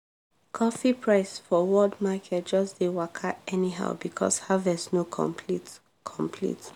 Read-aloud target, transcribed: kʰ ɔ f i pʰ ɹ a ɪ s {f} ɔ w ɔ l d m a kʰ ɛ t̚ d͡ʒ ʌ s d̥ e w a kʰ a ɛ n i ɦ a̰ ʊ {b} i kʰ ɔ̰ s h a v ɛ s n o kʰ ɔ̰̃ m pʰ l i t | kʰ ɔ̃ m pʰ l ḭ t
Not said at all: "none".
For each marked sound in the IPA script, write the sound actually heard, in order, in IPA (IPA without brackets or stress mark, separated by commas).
f, b